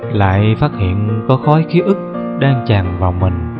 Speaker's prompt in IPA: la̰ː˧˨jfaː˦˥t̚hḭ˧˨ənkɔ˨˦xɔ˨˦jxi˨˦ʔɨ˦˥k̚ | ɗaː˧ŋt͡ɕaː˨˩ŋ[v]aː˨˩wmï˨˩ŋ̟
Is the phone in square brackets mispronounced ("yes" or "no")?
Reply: no